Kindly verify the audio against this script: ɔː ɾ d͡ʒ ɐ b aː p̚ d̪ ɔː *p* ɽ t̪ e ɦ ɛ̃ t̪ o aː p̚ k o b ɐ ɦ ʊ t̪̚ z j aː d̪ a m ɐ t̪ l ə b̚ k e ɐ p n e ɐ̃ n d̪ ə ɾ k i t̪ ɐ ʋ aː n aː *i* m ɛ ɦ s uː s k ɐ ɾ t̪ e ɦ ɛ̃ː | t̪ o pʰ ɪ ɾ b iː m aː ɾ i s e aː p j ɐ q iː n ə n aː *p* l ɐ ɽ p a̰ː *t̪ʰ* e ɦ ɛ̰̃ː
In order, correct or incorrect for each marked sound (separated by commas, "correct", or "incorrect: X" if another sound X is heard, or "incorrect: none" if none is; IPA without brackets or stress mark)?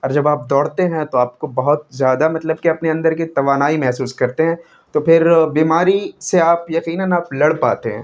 incorrect: none, correct, correct, incorrect: t̪